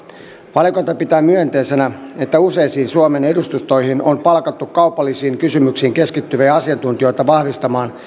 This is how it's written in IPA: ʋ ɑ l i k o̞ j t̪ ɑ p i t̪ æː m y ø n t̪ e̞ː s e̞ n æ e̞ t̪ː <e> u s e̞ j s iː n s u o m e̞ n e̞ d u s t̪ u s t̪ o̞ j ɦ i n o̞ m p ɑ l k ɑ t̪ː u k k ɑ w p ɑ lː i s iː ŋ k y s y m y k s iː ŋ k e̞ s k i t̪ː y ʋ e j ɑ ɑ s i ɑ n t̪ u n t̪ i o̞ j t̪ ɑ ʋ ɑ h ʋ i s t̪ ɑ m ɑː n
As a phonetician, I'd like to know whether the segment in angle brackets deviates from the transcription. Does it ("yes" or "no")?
yes